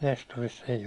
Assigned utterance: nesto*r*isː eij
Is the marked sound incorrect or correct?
correct